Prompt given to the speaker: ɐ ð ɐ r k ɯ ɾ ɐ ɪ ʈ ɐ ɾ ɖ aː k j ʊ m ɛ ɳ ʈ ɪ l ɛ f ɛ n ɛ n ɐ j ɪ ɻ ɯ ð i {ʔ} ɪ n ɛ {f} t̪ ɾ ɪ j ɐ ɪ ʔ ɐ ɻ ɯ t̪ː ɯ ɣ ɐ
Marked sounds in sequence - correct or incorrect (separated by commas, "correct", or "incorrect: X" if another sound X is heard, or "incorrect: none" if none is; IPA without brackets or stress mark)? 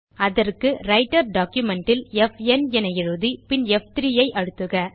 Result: incorrect: p, correct